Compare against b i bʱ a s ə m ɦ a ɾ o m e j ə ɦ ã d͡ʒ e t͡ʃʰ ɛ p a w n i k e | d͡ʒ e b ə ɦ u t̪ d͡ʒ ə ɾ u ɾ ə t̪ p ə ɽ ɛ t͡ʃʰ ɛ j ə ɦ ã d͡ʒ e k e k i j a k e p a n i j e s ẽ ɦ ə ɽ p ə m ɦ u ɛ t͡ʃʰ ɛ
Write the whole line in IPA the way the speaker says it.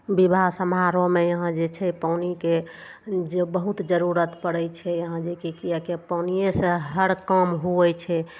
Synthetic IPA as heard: b i bʱ a s ə m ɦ a ɾ o m e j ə ɦ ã d͡ʒ e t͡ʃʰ ɛ p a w n i k e | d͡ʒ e b ə ɦ u t̪ d͡ʒ ə ɾ u ɾ ə t̪ p ə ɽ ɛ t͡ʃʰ ɛ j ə ɦ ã d͡ʒ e k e k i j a k e p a n i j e s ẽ ɦ ə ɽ k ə m ɦ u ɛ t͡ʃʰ ɛ